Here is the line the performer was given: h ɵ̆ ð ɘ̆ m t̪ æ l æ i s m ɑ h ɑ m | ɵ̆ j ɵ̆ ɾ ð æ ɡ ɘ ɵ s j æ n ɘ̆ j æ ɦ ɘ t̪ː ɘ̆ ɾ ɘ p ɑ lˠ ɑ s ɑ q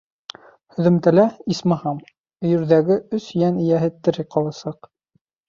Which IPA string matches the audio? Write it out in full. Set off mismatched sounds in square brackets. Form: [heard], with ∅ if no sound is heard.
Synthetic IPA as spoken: h ɵ̆ ð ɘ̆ m t̪ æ l æ i s m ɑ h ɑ m | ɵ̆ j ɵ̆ ɾ ð æ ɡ ɘ ɵ s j æ n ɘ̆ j æ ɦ ɘ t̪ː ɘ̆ ɾ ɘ [q] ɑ lˠ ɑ s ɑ q